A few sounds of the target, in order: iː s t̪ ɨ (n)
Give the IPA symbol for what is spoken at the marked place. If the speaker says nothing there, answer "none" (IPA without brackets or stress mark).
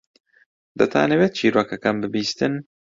n